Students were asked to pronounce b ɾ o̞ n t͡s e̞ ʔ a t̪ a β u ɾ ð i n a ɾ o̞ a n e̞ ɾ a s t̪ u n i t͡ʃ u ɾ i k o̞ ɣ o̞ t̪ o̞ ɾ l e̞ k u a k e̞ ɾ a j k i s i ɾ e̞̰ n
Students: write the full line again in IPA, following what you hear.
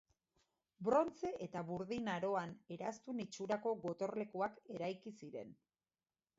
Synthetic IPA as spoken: b ɾ o̞ n t͡s e̞ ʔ e t̪ a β u ɾ ð i n a ɾ o̞ a n e̞ ɾ a s t̪ u n i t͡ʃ u ɾ a k o̞ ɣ o̞ t̪ o̞ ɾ l e̞ k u a k e̞ ɾ a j k i s i ɾ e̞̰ n

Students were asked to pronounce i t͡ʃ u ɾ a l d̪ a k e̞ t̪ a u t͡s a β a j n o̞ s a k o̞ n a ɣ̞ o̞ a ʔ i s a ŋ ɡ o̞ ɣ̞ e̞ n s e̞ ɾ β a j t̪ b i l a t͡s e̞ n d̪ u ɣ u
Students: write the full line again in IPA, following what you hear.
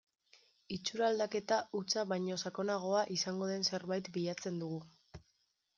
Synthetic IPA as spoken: i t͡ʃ u ɾ a l d̪ a k e̞ t̪ a u t͡s a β a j ɲ o̞ s a k o̞ n a ɣ̞ o̞ a ʔ i s a ŋ ɡ o̞ ð̞ e̞ n s e̞ ɾ β a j t̪ b i ʎ a t͡s e̞ n d̪ u ɣ u

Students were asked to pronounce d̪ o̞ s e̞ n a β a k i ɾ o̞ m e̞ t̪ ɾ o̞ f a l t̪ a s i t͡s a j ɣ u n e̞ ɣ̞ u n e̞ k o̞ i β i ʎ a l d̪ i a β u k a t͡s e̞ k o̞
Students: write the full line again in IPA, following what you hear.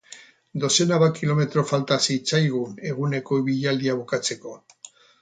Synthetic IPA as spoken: d̪ o̞ s e̞ n a β a k i l o̞ m e̞ t̪ ɾ o̞ f a l t̪ a s i t͡s a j ɣ u n e̞ ɣ̞ u n e̞ k o̞ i β i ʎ a l d̪ i a β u k a t͡s e̞ k o̞

